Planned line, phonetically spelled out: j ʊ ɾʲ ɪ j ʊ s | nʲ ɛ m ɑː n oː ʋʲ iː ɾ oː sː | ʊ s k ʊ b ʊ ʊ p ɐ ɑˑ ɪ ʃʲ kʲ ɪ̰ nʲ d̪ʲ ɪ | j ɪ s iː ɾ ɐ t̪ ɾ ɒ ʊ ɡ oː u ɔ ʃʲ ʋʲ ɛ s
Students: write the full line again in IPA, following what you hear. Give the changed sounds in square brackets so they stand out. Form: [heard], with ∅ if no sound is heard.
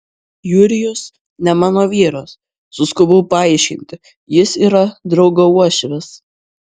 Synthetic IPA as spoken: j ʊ ɾʲ ɪ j ʊ s | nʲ ɛ m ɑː n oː ʋʲ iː ɾ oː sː | ʊ s k ʊ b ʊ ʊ p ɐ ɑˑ ɪ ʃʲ kʲ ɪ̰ nʲ [t̪ʲ] ɪ | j ɪ s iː ɾ ɐ [d̪] ɾ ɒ ʊ ɡ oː u ɔ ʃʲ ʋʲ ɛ s